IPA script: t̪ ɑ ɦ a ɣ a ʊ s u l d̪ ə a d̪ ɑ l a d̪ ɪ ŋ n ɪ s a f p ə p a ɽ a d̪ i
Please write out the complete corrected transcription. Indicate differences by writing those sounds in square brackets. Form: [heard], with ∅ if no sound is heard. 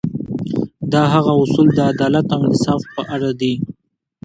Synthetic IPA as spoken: [d̪] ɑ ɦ a ɣ a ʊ s u l d̪ ə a d̪ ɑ l a [t̪] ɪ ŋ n ɪ s [ɑ] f p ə [ʔ] a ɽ a d̪ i